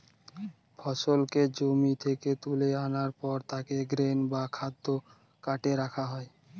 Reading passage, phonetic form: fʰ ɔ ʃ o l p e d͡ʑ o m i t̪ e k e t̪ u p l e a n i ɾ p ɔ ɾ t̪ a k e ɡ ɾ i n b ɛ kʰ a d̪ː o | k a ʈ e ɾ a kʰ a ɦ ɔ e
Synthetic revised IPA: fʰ ɔ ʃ o l k e d͡ʑ o m i t̪ʰ e k e t̪ u l e a n a ɾ p ɔ ɾ t̪ a k e ɡ ɾ e n b a kʰ a d̪ː o | k a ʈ e ɾ a kʰ a ɦ ɔ e